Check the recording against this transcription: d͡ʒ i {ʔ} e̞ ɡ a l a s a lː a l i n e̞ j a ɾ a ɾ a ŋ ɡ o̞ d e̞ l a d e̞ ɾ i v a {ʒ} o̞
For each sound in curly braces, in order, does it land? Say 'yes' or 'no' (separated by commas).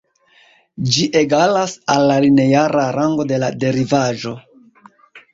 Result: yes, yes